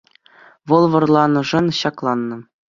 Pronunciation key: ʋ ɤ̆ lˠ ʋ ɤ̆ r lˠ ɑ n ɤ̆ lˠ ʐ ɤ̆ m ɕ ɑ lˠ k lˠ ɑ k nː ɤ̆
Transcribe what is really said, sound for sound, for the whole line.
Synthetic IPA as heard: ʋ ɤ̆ lˠ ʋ ɤ̆ r lˠ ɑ n ɤ̆ ʐ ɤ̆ n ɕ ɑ k lˠ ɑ nː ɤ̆